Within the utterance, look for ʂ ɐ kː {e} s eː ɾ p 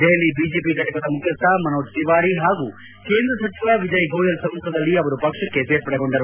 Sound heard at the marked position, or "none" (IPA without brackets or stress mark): e